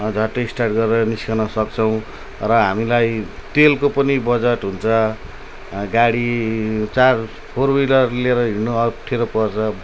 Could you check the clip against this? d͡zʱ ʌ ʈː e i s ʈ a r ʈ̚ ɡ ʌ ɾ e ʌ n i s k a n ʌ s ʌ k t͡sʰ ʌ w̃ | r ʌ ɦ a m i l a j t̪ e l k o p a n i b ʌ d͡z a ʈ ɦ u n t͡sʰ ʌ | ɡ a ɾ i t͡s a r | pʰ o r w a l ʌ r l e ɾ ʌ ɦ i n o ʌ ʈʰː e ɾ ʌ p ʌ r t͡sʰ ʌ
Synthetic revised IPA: d͡zʱ ʌ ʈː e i s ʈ a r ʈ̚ ɡ ʌ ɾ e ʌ n i s k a n ʌ s ʌ k t͡sʰ ʌ w̃ | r ʌ ɦ a m i l a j t̪ e l k o p ʌ n i b ʌ d͡z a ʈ ɦ u n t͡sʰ ʌ | ɡ a ɽ i t͡s a r | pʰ o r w i l ʌ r l e ɾ ʌ ɦ i n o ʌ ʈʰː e ɾ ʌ p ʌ r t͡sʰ ʌ

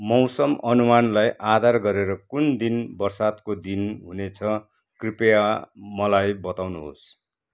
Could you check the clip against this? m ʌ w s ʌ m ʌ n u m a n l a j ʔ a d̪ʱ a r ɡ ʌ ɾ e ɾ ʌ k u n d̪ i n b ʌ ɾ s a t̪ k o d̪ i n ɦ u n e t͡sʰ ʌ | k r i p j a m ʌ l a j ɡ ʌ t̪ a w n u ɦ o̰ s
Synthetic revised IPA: m ʌ w s ʌ m ʌ n u m a n l a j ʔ a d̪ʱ a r ɡ ʌ ɾ e ɾ ʌ k u n d̪ i n b ʌ r s a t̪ k o d̪ i n ɦ u n e t͡sʰ ʌ | k r i p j a m ʌ l a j b ʌ t̪ a w n u ɦ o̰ s

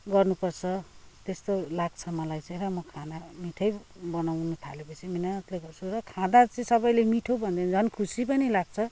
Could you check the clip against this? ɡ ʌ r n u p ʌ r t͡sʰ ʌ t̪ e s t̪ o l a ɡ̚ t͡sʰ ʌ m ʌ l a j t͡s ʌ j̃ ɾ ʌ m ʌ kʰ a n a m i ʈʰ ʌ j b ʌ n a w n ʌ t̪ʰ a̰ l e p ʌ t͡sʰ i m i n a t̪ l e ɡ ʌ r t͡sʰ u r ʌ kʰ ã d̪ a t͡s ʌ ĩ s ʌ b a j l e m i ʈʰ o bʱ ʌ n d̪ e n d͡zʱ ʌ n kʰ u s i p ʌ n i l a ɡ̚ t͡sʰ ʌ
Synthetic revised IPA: ɡ ʌ r n u p ʌ r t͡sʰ ʌ t̪ e s t̪ o l a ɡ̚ t͡sʰ ʌ m ʌ l a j t͡s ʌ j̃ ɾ ʌ m ʌ kʰ a n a m i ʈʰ ʌ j b ʌ n a w n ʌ t̪ʰ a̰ l e p ʌ t͡sʰ i m i n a t̪ l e ɡ ʌ r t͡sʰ u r ʌ kʰ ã d̪ a t͡s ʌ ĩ s ʌ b ʌ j l e m i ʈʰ o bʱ ʌ n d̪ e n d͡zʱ ʌ n kʰ u s i p ʌ n i l a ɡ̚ t͡sʰ ʌ

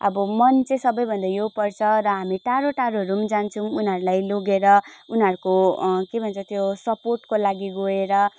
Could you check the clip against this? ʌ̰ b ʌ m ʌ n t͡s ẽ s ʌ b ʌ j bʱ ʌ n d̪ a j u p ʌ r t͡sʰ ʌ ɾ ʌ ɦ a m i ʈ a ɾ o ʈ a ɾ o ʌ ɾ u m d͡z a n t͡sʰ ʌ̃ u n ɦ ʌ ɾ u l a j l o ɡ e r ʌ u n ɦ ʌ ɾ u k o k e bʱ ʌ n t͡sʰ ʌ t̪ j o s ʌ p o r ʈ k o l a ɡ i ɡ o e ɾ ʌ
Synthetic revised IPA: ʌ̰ b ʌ m ʌ n t͡s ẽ s ʌ b ʌ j bʱ ʌ n d̪ a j o p ʌ r t͡sʰ ʌ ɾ ʌ ɦ a m i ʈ a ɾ o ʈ a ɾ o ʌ ɾ u m d͡z a n t͡sʰ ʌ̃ u n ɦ ʌ ɾ u l a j l o ɡ e ɾ ʌ u n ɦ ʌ ɾ u k o k e bʱ ʌ n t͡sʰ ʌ t̪ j o s ʌ p o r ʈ k o l a ɡ i ɡ o e ɾ ʌ

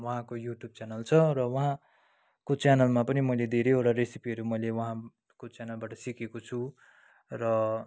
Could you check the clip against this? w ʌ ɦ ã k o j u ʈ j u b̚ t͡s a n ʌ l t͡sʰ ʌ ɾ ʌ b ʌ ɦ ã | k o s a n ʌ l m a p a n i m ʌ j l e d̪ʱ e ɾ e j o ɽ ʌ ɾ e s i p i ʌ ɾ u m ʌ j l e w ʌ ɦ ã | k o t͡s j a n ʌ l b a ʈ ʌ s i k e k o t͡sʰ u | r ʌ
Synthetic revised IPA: w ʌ ɦ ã k o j u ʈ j u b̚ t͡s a n ʌ l t͡sʰ ʌ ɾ ʌ w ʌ ɦ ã | k o t͡s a n ʌ l m a p ʌ n i m ʌ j l e d̪ʱ e ɾ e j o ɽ a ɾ e s i p i ʌ ɾ u m ʌ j l e w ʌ ɦ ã | k o t͡s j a n ʌ l b a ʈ ʌ s i k e k o t͡sʰ u | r ʌ

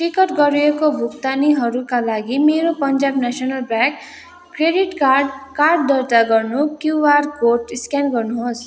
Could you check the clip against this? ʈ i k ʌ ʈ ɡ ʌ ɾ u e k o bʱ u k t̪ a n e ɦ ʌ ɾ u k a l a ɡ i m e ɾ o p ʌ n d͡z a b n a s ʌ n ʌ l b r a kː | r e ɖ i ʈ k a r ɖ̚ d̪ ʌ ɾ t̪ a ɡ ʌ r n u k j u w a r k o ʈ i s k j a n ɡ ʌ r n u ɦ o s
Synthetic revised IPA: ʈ i k ʌ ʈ ɡ ʌ ɾ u e k o bʱ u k t̪ a n i ɦ ʌ ɾ u k a l a ɡ i m e ɾ o p ʌ n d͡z a b n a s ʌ n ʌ l b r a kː | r e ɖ i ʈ k a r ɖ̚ d̪ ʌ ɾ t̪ a ɡ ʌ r n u k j u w a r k o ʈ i s k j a n ɡ ʌ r n u ɦ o s

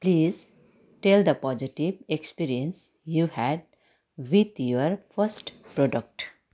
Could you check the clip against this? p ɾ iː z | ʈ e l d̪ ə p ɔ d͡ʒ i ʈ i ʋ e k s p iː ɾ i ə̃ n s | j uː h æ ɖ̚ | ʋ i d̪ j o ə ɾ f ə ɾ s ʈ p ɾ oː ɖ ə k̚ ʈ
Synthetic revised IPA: p l iː z | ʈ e l d̪ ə p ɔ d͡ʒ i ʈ i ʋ e k s p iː ɾ i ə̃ n s | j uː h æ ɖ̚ | ʋ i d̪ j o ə ɾ f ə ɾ s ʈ p ɾ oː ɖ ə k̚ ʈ

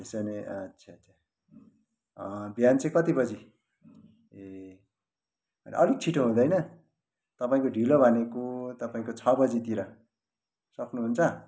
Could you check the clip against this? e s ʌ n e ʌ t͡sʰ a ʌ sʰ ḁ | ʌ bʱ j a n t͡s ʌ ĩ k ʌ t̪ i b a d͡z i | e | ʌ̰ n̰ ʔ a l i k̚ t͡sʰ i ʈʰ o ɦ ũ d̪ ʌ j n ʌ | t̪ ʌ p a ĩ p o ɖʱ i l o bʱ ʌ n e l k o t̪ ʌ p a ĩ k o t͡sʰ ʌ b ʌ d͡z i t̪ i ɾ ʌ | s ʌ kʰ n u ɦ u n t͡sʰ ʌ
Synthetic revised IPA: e s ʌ n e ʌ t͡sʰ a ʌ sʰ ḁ | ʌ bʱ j a n t͡s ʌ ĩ k ʌ t̪ i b ʌ d͡z i | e | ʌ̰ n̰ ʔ ʌ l i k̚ t͡sʰ i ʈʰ o ɦ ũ d̪ ʌ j n ʌ | t̪ ʌ p a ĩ k o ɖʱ i l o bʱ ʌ n e k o t̪ ʌ p a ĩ k o t͡sʰ ʌ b ʌ d͡z i t̪ i ɾ ʌ | s ʌ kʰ n u ɦ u n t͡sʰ ʌ

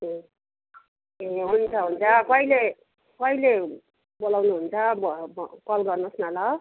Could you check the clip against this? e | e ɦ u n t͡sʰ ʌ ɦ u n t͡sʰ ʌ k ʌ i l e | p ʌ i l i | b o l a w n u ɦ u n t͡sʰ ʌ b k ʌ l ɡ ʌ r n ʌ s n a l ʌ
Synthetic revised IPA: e | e ɦ u n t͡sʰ ʌ ɦ u n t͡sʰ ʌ k ʌ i l e | k ʌ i l e | b o l a w n u ɦ u n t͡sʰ ʌ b k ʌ l ɡ ʌ r n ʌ s n a l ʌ

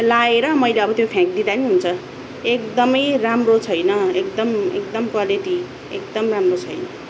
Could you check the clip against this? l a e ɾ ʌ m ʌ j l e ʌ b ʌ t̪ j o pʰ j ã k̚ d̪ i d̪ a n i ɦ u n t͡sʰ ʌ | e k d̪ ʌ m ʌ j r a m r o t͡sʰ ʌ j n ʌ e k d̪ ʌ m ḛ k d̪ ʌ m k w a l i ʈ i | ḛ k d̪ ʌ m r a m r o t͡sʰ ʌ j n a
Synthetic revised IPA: l a e ɾ ʌ m ʌ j l e ʌ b ʌ t̪ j o pʰ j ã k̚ d̪ i d̪ a n i ɦ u n t͡sʰ ʌ | e k d̪ ʌ m ʌ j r a m r o t͡sʰ ʌ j n ʌ e k d̪ ʌ m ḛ k d̪ ʌ m k w a l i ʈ i | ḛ k d̪ ʌ m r a m r o t͡sʰ ʌ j n ʌ

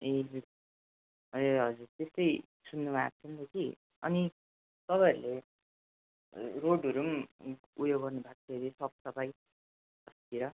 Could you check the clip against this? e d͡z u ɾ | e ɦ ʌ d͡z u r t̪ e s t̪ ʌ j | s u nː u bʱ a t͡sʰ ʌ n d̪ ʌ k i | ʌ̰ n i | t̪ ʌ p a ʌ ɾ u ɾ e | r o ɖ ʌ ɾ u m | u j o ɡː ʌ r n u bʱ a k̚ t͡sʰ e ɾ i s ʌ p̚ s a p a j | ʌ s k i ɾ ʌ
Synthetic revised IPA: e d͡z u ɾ | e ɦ ʌ d͡z u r t̪ e s t̪ ʌ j | s u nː u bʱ a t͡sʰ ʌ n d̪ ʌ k i | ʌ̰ n i | t̪ ʌ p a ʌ ɾ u l e | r o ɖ ʌ ɾ u m | u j o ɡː ʌ r n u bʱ a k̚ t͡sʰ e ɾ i s ʌ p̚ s ʌ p a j | ʌ s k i ɾ ʌ

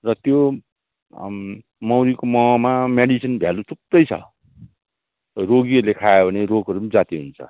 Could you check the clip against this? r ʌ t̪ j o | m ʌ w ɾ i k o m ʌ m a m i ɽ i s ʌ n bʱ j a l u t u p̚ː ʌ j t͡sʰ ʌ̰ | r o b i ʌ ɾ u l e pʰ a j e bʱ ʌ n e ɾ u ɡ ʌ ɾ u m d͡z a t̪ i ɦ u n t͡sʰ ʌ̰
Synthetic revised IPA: r ʌ t̪ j o | m ʌ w ɾ i k o m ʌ m a m e ɽ i s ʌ n bʱ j a l u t u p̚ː ʌ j t͡sʰ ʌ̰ | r o ɡ i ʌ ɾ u l e kʰ a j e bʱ ʌ n e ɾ o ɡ ʌ ɾ u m d͡z a t̪ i ɦ u n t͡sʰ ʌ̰

